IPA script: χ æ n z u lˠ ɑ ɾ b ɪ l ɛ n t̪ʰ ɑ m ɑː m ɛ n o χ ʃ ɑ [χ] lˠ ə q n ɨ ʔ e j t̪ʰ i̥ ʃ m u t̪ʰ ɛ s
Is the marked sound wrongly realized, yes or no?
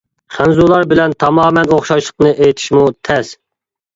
yes